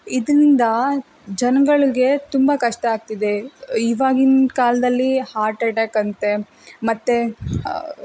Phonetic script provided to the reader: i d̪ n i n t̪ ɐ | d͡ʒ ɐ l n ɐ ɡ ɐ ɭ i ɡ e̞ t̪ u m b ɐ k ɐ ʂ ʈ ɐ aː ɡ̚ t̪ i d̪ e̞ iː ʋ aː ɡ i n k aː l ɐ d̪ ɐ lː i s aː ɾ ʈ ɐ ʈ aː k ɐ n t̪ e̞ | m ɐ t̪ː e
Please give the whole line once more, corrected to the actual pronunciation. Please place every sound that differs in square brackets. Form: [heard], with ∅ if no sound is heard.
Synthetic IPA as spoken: i d̪ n i n [d̪] ɐ | d͡ʒ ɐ [∅] n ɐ ɡ ɐ ɭ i ɡ e̞ t̪ u m b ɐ k ɐ ʂ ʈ ɐ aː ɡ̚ t̪ i d̪ e̞ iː ʋ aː ɡ i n k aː l ɐ d̪ ɐ lː i [h] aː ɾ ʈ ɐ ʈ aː k ɐ n t̪ e̞ | m ɐ t̪ː e